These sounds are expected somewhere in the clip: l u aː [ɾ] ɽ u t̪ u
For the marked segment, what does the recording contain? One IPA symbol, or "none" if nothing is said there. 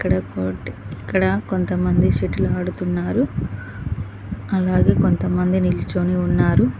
none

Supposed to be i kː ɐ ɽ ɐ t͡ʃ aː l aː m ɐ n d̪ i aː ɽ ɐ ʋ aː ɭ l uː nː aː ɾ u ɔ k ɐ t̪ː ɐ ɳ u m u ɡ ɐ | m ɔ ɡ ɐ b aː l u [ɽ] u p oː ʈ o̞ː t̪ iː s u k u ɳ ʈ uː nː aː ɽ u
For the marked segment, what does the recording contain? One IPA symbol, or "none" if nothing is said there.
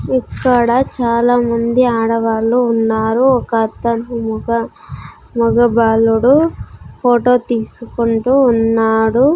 ɽ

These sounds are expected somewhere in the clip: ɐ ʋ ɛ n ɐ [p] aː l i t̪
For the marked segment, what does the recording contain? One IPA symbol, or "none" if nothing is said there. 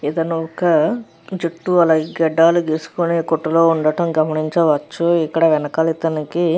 k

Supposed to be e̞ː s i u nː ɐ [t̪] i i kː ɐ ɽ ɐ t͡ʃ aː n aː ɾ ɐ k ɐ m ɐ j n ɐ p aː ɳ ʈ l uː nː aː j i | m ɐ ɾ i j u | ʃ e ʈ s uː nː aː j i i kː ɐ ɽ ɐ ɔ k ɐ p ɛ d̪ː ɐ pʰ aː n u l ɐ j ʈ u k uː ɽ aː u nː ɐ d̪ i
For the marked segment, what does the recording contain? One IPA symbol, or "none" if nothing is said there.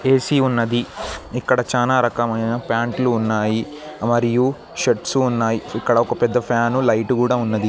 d̪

